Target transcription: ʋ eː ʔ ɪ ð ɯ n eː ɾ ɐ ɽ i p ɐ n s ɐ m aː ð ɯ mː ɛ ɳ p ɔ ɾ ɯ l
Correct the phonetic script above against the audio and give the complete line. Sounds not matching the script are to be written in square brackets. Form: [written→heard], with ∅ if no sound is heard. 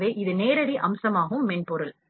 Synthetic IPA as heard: ʋ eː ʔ ɪ ð ɯ n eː ɾ ɐ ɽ i [p→ʔ] ɐ [n→m] s ɐ m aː [ð→ɣ] ɯ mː ɛ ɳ p ɔ ɾ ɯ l